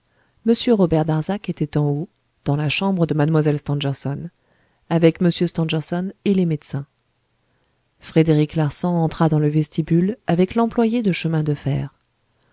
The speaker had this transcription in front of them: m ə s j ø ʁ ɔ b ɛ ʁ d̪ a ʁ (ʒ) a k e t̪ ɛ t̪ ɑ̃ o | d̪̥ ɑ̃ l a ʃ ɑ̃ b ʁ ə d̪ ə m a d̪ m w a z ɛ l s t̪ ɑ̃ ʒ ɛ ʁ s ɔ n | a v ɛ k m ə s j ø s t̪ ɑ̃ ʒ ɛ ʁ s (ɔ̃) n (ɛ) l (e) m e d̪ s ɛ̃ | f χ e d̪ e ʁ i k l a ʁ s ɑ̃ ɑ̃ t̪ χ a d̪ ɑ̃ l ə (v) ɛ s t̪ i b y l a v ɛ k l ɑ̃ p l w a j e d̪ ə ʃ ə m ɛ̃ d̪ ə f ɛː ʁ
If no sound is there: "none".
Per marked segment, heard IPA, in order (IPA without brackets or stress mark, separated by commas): z, ɔ, e, e, v